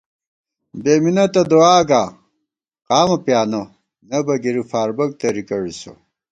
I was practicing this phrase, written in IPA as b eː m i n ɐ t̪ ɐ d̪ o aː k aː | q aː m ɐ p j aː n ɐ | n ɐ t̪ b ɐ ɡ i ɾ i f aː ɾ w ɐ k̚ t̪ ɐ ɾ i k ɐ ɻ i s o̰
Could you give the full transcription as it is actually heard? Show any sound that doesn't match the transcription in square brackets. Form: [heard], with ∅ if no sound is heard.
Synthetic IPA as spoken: b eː m i n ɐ t̪ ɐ d̪ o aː [ɡ] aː | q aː m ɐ p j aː n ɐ | n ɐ [∅] b ɐ ɡ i ɾ i f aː ɾ [b] ɐ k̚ t̪ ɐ ɾ i k ɐ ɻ i s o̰